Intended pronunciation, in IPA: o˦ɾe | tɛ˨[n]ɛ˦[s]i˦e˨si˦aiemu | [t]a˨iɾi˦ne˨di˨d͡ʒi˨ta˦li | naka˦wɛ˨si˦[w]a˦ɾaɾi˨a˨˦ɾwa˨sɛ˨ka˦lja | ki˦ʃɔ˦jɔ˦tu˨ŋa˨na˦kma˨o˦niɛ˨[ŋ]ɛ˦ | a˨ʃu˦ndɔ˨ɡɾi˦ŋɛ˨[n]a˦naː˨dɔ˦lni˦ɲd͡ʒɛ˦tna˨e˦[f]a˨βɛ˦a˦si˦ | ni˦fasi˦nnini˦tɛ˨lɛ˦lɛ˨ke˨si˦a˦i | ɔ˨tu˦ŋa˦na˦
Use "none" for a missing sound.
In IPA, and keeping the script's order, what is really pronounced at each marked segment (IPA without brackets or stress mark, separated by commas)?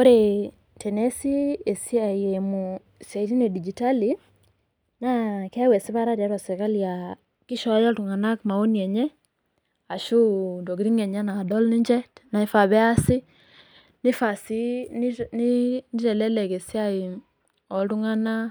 n, s, s, β, ɲ, ɲ, f